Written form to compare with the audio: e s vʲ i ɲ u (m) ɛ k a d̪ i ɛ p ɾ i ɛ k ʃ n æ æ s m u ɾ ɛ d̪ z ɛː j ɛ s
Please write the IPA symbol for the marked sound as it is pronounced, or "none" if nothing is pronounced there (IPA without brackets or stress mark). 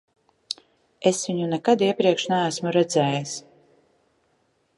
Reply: n